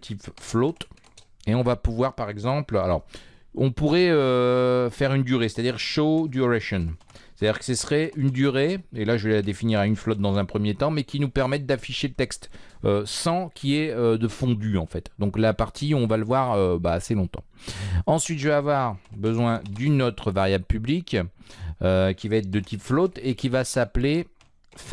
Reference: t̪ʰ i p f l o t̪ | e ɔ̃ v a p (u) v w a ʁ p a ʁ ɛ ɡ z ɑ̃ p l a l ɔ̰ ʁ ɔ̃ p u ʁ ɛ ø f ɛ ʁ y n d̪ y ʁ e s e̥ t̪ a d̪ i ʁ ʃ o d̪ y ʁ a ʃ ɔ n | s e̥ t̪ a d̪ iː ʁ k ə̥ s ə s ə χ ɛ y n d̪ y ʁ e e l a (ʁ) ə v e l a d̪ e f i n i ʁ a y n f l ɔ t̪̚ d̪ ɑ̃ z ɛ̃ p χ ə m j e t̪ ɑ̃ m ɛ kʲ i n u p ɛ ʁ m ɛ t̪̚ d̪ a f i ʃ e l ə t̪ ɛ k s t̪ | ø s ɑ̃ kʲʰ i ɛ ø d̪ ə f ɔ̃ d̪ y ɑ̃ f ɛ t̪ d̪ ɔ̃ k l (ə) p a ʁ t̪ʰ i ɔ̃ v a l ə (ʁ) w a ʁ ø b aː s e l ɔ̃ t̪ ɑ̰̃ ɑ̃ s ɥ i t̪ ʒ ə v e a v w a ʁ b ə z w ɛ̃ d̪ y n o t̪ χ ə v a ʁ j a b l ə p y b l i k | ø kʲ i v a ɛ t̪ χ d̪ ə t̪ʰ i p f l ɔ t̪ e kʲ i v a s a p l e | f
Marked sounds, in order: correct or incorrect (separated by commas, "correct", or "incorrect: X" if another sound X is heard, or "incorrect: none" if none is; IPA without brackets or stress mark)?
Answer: correct, incorrect: ʒ, incorrect: a, incorrect: v